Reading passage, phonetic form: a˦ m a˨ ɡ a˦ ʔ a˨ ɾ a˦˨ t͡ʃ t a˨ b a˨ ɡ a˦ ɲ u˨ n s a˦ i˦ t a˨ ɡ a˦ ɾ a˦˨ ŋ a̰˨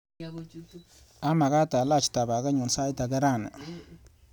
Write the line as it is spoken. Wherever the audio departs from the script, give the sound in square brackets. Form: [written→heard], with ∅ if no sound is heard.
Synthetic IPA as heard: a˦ m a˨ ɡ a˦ [ʔ→t] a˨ [ɾ→l] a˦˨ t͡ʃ t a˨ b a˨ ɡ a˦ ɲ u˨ n s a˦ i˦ t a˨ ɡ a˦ ɾ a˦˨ [ŋ→n] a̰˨